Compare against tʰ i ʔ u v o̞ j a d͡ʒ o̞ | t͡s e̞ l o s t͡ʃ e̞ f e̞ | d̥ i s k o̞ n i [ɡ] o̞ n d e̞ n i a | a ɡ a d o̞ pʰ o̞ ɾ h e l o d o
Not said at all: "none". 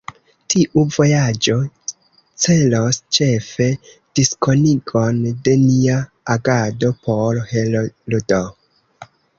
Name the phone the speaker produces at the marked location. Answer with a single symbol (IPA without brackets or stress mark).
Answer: ɡ